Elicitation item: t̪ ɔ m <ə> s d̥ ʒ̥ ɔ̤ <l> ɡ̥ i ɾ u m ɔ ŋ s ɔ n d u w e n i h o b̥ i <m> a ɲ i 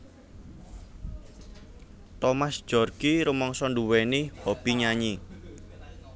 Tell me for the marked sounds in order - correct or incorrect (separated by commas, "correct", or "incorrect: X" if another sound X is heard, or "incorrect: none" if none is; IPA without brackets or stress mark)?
incorrect: a, incorrect: r, incorrect: ɲ